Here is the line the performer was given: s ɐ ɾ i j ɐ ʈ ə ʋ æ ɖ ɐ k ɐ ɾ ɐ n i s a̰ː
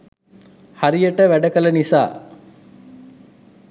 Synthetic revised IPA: h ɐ ɾ i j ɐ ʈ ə ʋ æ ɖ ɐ k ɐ l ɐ n i s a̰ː